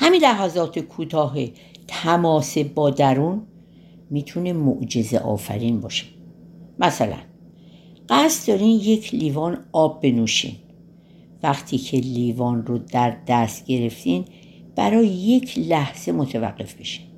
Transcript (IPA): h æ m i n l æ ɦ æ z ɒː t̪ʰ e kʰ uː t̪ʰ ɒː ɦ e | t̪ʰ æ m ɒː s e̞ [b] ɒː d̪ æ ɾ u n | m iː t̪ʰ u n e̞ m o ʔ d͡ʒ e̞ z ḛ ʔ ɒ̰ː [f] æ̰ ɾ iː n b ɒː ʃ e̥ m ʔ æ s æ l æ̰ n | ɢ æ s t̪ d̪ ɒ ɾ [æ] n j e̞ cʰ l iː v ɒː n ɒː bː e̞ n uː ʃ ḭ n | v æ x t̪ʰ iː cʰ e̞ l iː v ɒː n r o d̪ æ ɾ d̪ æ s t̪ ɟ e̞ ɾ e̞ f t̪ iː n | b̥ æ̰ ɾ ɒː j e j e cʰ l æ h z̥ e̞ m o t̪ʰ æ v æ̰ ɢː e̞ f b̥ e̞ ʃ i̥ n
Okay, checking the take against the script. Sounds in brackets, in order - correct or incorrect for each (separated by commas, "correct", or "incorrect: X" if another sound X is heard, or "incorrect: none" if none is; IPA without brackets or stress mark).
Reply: correct, correct, incorrect: i